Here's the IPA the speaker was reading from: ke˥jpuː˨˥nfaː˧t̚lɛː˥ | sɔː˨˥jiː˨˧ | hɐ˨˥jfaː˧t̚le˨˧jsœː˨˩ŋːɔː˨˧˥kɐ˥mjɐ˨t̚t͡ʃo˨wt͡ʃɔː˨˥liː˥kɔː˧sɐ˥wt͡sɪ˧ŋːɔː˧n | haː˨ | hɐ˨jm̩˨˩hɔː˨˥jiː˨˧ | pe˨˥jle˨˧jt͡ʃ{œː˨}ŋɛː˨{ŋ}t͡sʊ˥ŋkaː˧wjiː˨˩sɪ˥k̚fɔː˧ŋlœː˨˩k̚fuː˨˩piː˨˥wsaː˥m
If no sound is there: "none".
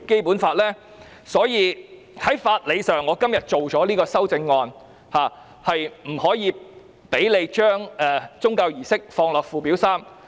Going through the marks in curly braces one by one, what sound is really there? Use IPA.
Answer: œː˥, none

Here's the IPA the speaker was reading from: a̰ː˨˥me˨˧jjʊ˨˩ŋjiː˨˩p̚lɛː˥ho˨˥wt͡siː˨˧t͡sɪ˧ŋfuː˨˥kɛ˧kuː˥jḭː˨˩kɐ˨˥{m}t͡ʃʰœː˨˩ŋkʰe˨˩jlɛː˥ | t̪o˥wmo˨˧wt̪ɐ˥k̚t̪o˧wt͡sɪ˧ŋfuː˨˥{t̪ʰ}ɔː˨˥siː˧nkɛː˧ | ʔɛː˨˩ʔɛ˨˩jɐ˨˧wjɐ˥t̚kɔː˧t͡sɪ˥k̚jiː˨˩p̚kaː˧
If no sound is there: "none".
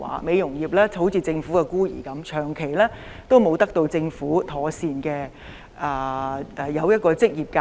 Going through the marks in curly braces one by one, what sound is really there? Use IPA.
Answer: m, t̪ʰ

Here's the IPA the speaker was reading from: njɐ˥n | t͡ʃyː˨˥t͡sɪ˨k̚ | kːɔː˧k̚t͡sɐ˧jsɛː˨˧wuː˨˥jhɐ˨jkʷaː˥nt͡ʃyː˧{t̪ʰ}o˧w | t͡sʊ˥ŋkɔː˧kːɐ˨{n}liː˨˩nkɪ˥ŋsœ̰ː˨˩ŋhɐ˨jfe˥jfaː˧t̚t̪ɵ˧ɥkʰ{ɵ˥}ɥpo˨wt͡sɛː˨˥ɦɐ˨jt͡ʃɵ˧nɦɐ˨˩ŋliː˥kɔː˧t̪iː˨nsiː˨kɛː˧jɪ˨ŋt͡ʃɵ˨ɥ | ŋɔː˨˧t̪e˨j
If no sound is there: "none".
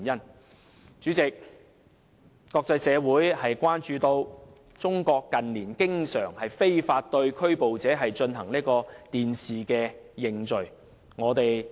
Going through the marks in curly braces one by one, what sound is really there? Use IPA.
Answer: t̪, n, ɵ˥

